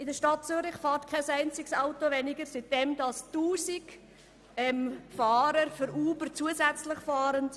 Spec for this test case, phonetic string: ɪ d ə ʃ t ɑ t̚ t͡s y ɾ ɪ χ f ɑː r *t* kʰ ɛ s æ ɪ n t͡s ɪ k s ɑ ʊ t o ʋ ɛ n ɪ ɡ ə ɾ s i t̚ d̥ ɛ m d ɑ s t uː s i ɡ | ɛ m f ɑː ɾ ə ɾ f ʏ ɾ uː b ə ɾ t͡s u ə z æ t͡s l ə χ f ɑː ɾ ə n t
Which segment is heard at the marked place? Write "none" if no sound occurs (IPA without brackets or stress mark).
t